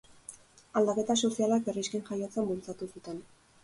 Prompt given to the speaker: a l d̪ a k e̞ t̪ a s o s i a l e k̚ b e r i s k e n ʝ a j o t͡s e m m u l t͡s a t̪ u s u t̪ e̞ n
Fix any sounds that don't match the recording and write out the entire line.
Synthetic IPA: a l d̪ a k e̞ t̪ a s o s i a l a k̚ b e r i s k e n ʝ a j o t͡s e m b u l t͡s a t̪ u s u t̪ e̞ n